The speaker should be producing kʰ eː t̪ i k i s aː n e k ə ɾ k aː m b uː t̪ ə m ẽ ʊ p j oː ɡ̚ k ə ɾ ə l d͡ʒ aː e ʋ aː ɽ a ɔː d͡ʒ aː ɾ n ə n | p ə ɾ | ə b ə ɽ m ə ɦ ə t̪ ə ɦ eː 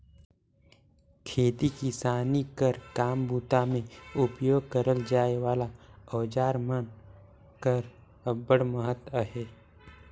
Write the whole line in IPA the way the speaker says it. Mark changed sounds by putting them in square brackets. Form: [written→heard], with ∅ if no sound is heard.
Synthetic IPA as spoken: kʰ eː t̪ i k i s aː n [e→i] k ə ɾ k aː m b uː t̪ [ə→a] m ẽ ʊ p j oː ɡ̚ k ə ɾ ə l d͡ʒ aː e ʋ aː [ɽ→l] a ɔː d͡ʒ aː ɾ [n→m] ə n | [p→k] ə ɾ | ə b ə ɽ m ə ɦ ə t̪ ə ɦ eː